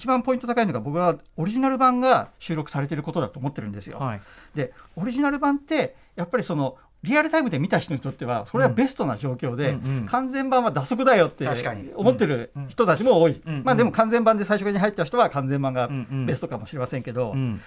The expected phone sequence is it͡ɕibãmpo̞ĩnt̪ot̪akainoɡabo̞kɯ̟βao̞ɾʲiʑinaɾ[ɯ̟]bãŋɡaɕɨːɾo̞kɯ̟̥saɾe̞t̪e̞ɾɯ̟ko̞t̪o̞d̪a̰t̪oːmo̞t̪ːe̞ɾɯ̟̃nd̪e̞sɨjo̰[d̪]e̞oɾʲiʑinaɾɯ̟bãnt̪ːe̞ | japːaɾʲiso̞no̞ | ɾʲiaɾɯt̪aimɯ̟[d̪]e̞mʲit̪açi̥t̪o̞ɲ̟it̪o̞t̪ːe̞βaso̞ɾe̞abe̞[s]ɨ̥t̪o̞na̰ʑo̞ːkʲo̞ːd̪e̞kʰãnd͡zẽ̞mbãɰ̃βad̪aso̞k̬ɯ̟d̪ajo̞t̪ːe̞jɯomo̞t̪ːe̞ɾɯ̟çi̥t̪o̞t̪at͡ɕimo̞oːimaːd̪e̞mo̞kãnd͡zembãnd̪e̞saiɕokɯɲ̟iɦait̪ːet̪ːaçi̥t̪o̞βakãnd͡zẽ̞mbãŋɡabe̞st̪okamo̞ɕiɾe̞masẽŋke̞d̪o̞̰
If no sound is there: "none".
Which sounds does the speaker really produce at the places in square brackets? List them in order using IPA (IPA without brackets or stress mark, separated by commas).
ɯ̟, d̪, d̪, s